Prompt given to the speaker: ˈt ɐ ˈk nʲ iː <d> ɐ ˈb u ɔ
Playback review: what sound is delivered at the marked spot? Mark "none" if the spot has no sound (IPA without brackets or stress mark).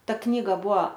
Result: ɡ